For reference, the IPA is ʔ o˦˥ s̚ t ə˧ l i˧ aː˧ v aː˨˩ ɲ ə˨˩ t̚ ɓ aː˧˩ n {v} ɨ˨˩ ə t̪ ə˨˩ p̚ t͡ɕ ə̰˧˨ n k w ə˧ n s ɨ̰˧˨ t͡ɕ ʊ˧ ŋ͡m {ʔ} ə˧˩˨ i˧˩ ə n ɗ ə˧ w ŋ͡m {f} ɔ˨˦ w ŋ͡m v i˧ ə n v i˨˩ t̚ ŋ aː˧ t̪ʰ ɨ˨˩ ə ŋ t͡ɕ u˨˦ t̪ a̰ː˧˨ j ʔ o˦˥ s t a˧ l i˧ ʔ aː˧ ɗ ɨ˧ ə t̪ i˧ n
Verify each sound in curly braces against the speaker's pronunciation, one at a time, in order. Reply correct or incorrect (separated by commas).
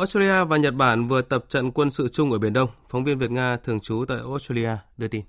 correct, correct, correct